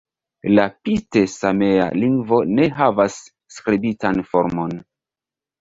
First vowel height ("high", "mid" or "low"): low